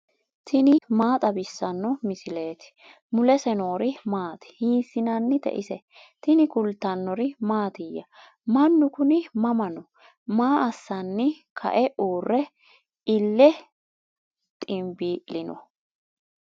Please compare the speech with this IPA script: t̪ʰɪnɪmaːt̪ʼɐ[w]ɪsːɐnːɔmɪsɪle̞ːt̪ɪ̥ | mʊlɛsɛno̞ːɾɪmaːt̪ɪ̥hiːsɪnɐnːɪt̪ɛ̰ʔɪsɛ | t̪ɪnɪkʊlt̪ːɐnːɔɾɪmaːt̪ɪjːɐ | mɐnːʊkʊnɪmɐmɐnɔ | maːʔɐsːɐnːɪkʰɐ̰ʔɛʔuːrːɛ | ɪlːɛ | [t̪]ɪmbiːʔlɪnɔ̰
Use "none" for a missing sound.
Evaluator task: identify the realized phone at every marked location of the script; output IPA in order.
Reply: b, t̪ʼ

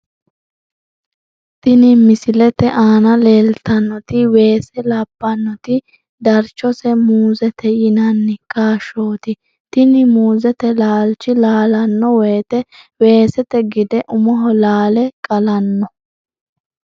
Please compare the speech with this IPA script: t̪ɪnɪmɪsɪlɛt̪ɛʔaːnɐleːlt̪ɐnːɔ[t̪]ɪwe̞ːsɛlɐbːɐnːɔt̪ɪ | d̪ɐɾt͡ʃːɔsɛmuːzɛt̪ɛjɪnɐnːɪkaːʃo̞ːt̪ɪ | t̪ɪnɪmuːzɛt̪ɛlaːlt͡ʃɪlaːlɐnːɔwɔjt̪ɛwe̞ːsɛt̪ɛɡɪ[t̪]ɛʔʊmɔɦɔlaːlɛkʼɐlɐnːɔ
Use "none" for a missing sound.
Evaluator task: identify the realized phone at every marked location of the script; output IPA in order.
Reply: t̪, d̪

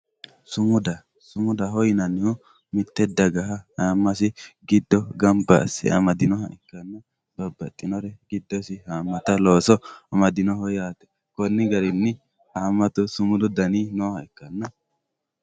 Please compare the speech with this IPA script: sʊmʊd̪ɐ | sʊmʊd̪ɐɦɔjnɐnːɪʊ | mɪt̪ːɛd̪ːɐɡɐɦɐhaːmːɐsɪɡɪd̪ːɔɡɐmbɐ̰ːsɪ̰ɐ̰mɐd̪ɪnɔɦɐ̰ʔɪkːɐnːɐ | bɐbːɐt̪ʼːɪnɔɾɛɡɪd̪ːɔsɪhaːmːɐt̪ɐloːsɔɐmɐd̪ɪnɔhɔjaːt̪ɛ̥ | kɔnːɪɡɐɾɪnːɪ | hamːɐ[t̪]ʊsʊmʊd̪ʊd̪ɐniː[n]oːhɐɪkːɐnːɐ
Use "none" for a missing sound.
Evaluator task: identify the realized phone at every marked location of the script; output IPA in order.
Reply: t̪, n

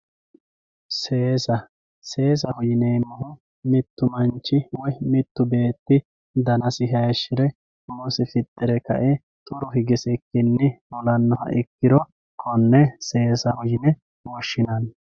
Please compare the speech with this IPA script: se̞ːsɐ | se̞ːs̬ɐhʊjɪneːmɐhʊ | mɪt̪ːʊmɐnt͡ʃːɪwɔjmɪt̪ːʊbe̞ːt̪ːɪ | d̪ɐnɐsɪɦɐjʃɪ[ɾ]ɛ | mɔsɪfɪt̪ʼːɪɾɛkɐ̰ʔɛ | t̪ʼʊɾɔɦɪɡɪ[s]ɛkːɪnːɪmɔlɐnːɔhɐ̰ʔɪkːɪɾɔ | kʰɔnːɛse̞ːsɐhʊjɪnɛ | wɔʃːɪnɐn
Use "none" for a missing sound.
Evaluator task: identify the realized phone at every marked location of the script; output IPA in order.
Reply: ɾ, s

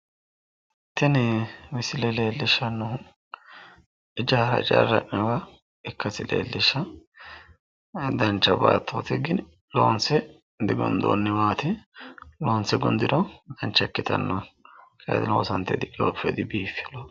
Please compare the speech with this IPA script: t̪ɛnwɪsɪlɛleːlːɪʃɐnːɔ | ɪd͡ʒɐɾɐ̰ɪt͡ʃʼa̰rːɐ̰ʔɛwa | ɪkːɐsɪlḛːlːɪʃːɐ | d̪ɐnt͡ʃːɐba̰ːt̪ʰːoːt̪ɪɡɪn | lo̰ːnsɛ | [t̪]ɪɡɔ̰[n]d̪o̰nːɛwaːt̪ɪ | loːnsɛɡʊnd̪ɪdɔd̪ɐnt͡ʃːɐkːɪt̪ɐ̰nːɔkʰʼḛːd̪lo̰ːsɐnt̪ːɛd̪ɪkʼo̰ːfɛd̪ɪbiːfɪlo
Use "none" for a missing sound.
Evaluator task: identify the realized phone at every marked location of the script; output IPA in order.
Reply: d̪, n

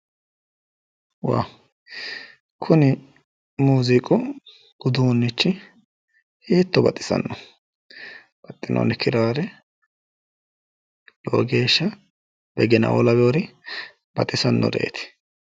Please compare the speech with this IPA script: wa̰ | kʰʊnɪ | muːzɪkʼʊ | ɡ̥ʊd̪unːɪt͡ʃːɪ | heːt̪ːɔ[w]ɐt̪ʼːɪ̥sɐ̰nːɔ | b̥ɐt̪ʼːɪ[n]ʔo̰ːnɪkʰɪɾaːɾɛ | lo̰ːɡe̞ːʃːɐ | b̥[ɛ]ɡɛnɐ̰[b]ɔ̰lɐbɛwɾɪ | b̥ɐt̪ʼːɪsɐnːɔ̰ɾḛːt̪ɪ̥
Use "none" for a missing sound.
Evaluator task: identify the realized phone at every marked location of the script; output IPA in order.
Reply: b, n, ɛ, w

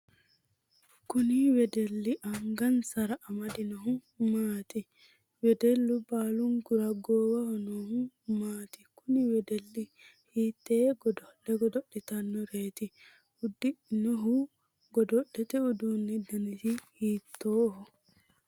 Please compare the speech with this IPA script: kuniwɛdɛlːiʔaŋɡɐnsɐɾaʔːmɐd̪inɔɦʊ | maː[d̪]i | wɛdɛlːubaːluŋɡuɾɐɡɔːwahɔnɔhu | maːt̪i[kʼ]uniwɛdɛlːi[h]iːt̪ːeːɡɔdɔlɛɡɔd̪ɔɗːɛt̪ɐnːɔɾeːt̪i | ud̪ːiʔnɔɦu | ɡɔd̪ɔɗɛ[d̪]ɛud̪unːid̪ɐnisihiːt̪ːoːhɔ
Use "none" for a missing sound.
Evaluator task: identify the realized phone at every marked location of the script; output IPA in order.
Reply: t̪, k, h, t̪

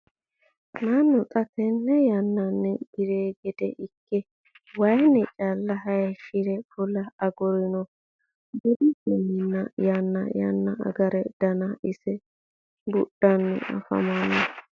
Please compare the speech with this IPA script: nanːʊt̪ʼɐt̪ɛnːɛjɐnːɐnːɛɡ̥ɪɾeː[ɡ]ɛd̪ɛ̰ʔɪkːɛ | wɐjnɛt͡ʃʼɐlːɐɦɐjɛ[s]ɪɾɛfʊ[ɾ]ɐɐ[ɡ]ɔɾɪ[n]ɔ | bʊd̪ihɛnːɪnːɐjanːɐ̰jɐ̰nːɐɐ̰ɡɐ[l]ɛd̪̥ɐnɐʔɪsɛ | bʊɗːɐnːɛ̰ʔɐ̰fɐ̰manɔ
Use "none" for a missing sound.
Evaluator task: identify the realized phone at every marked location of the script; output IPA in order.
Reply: ɡ, ʃ, l, ɡ, n, ɾ

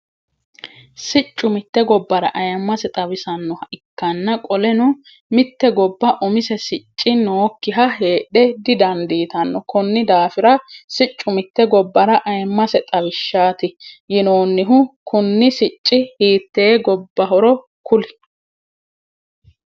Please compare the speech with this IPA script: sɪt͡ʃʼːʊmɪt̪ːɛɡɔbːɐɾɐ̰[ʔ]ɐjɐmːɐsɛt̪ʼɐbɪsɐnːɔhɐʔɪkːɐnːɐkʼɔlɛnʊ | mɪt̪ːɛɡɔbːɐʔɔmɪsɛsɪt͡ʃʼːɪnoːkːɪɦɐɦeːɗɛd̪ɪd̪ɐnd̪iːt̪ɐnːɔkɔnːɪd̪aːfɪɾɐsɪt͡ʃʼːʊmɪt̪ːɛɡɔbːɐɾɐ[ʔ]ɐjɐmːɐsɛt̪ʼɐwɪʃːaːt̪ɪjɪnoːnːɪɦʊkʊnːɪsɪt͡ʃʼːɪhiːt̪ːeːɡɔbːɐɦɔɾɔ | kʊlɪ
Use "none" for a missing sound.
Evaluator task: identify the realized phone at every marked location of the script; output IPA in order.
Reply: ʔ, ʔ

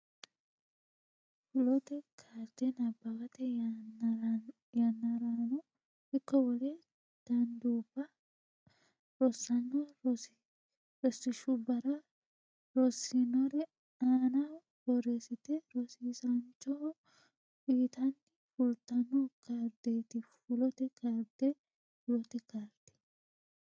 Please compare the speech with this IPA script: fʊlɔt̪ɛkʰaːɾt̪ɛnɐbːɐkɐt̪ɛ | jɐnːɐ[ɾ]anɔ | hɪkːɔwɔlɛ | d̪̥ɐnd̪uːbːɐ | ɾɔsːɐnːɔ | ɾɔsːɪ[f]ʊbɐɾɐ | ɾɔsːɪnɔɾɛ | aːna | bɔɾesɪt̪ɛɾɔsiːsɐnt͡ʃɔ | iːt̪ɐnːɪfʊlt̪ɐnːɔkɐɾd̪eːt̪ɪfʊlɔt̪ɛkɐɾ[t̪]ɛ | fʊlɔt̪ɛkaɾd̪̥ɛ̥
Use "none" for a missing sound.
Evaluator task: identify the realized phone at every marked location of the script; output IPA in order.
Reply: ɾ, ʃ, d̪

